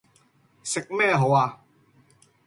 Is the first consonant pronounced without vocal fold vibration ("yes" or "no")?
yes